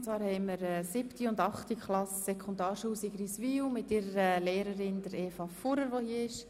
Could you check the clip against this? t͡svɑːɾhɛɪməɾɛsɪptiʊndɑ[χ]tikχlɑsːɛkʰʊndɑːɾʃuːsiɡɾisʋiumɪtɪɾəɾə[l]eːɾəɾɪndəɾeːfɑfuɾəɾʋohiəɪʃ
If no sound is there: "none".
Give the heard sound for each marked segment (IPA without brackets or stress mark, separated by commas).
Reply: χ, l